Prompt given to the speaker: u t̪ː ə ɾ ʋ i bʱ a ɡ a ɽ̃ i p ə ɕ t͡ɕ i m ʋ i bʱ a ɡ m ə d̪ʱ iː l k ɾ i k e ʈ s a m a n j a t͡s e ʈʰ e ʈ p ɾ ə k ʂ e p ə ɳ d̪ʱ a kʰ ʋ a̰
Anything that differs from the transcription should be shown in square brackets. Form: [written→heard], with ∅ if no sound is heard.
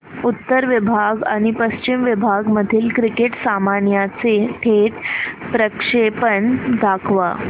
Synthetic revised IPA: u t̪ː ə ɾ ʋ i bʱ a ɡ a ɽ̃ i p ə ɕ t͡ɕ i m ʋ i bʱ a ɡ m ə d̪ʱ iː l k ɾ i k e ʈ s a m a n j a t͡s e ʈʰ e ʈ p ɾ ə k ʂ e p ə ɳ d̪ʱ a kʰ ʋ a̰